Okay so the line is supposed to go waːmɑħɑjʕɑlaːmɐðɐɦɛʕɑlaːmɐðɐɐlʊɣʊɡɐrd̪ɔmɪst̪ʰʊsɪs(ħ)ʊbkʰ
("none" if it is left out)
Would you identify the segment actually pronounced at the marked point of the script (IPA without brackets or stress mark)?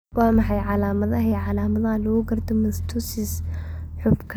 ħ